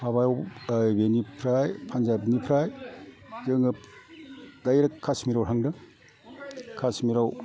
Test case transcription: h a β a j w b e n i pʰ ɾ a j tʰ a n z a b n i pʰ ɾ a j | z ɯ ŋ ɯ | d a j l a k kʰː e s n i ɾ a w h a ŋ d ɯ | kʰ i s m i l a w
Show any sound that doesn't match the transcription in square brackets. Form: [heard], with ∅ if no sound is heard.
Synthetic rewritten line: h a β a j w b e n i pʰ ɾ a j [pʰ] a n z a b n i pʰ ɾ a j | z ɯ ŋ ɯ | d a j [ɾ] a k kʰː [a] s [m] i ɾ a w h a ŋ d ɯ | kʰ [a] s m i [ɾ] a w